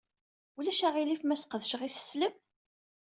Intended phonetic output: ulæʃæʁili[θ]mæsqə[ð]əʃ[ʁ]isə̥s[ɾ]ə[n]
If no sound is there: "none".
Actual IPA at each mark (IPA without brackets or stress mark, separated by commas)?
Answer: f, ð, ʁ, l, m